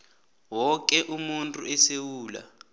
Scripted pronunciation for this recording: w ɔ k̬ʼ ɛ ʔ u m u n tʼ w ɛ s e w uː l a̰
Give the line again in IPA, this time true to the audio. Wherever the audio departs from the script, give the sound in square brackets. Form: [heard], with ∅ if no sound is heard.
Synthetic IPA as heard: w ɔ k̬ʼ ɛ ʔ u m u n tʼ [u] ɛ s e w uː l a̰